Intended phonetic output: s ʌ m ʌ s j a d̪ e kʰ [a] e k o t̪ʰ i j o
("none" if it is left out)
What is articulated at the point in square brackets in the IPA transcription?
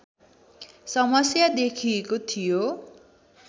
i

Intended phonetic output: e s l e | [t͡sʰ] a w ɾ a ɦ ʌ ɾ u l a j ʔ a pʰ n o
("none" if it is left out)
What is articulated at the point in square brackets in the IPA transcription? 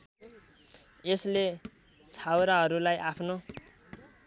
t͡sʰ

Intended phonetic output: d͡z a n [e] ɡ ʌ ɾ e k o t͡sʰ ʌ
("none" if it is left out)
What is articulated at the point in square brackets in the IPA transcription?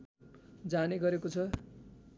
e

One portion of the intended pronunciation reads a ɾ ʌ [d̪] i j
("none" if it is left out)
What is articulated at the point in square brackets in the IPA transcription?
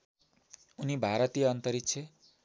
t̪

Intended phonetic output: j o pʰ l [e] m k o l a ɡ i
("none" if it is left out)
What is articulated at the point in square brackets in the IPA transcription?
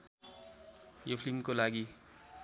i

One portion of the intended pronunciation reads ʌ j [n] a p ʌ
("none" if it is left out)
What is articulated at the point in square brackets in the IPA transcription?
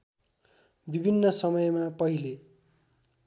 m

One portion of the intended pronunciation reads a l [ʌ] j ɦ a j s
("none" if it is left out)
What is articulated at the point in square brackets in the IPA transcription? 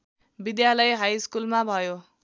ʌ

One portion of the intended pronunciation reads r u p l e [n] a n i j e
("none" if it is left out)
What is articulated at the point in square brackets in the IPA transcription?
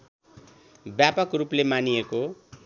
m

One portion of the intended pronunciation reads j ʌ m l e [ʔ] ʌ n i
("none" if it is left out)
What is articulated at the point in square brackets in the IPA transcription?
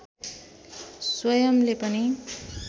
p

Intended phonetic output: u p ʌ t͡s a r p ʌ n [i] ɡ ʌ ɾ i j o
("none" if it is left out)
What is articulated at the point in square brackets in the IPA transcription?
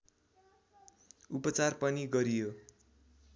i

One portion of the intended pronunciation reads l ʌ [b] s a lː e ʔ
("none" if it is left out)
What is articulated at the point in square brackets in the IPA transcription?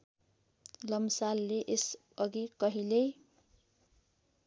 m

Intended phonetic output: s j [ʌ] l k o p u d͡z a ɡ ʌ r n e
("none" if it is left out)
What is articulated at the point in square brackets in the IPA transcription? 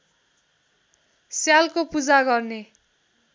a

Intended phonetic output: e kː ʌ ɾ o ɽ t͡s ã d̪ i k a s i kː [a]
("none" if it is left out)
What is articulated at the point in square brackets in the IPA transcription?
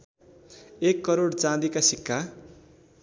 a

